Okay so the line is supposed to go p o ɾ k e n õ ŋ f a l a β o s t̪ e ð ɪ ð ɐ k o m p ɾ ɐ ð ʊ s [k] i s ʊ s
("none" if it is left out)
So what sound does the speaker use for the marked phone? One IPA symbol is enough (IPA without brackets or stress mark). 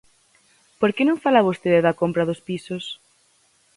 p